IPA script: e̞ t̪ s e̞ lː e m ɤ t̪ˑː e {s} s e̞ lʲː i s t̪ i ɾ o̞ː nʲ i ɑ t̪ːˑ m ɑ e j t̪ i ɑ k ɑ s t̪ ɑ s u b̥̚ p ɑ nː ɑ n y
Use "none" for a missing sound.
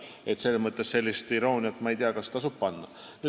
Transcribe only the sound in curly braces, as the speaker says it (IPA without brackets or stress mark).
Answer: s